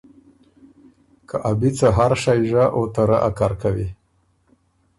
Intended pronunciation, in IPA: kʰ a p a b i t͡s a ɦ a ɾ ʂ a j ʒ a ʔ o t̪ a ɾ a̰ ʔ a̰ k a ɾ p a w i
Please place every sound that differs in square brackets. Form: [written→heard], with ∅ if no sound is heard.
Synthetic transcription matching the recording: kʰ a [p→ʔ] a b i t͡s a ɦ a ɾ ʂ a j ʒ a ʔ o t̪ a ɾ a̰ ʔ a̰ k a ɾ [p→k] a w i